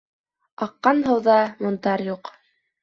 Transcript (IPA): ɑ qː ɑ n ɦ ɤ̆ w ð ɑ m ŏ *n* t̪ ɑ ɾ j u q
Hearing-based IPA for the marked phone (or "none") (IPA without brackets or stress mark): n